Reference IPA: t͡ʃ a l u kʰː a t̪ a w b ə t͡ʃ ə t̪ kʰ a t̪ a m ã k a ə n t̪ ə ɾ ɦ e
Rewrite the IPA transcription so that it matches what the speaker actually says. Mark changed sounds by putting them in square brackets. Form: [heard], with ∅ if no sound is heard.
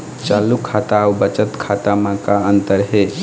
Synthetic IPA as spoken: t͡ʃ a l u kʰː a t̪ a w b ə t͡ʃ ə t̪ kʰ a t̪ a m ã k a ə n t̪ ə ɾ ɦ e